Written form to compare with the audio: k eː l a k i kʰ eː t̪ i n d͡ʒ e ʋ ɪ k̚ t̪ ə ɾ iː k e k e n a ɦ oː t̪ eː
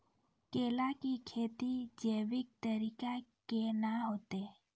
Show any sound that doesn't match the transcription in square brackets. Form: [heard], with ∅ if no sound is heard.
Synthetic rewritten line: k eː l a k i kʰ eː t̪ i [∅] d͡ʒ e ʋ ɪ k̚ t̪ ə ɾ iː k [a] k e n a ɦ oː t̪ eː